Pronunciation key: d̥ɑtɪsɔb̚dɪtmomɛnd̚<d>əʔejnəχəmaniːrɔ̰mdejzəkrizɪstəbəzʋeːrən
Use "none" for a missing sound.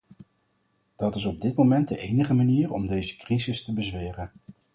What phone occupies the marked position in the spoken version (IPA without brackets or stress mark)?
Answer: d